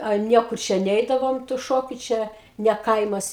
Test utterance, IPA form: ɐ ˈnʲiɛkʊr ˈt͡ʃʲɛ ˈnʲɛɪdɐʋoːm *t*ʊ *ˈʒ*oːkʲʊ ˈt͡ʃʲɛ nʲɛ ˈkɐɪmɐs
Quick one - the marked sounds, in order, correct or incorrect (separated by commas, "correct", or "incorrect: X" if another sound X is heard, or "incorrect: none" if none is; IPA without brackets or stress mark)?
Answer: correct, incorrect: ʃ